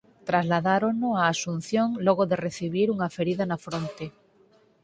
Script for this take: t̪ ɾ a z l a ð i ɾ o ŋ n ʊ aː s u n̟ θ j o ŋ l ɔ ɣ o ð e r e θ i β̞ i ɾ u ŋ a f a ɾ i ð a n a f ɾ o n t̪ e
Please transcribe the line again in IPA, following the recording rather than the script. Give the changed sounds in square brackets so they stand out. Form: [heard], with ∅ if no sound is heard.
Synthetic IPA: t̪ ɾ a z l a ð [a] ɾ o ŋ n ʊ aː s u n̟ θ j o ŋ l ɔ ɣ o ð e r e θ i β̞ i ɾ u ŋ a f [e] ɾ i ð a n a f ɾ o n t̪ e